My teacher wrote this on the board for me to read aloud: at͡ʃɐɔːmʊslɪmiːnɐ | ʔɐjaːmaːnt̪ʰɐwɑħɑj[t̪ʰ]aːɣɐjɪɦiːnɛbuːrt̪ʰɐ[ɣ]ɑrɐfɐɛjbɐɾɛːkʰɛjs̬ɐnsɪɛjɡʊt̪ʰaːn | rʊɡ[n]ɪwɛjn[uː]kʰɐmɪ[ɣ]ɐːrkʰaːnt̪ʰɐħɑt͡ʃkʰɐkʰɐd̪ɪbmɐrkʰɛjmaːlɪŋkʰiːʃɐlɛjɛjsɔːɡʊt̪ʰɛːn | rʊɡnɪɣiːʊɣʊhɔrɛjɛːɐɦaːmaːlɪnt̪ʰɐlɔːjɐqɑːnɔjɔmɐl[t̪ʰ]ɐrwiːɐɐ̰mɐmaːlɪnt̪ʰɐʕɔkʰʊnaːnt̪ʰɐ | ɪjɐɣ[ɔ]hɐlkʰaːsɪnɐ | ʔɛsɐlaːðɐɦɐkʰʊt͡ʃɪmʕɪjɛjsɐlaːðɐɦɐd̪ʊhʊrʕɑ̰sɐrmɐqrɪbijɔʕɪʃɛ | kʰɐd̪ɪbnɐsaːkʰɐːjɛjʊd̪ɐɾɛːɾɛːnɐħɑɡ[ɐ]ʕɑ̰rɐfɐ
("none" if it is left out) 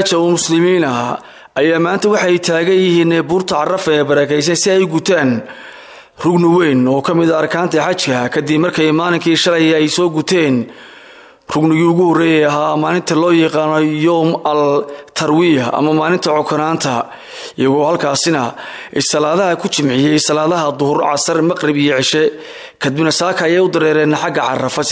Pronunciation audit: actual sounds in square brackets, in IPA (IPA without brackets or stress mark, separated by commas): t̪ʰ, ʕ, n, ɔː, ð, t̪ʰ, ɔː, ɐ